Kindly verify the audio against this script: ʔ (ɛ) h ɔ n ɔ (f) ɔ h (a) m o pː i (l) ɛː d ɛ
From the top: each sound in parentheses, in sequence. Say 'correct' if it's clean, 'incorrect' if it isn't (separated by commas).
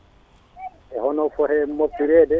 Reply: correct, correct, incorrect, incorrect